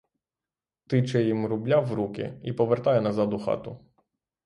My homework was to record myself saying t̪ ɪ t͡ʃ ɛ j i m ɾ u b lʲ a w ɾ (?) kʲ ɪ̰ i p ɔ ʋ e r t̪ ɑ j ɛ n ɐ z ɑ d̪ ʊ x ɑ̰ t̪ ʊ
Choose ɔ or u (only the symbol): u